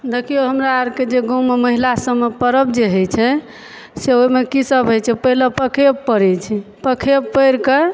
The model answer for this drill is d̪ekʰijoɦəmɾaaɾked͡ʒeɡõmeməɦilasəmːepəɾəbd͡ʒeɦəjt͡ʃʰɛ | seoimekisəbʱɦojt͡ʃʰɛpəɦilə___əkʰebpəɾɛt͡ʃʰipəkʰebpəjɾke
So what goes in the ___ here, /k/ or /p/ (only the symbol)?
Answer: p